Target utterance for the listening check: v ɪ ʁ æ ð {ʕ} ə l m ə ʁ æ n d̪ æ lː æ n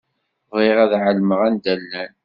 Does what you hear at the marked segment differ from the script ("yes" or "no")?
no